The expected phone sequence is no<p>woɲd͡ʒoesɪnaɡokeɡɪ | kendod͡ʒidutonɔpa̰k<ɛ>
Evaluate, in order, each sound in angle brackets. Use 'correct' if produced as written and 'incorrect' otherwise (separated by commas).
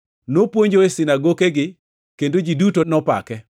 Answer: correct, correct